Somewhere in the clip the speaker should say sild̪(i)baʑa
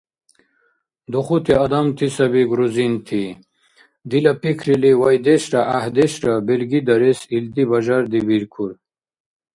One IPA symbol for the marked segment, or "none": i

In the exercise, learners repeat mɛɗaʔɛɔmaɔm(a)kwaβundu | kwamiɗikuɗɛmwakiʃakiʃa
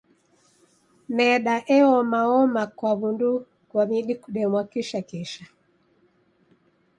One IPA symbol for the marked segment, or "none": a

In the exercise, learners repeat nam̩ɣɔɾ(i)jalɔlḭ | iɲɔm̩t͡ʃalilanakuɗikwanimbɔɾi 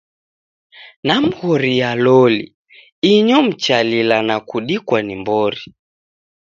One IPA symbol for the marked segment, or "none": i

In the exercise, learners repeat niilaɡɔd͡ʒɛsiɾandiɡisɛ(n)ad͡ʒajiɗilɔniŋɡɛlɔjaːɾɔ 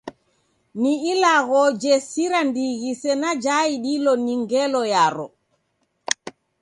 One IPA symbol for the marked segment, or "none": n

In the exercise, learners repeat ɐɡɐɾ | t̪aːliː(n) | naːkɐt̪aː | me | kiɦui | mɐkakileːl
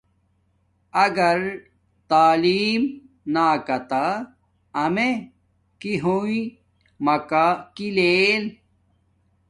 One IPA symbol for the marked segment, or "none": m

